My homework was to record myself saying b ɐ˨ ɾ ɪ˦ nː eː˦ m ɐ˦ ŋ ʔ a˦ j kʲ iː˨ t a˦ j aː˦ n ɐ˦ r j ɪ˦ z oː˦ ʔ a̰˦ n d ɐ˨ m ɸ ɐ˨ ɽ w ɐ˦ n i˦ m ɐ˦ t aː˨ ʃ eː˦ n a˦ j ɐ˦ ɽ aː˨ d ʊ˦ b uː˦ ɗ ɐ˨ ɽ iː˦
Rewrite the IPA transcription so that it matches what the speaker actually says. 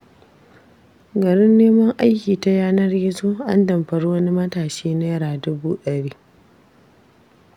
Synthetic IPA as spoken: ɡ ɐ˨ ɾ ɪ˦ nː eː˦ m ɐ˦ ŋ ʔ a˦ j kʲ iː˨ t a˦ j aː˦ n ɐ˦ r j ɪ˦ z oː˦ ʔ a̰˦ n d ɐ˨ m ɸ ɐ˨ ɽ w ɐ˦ n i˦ m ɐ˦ t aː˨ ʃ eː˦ n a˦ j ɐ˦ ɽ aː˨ d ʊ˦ b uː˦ ɗ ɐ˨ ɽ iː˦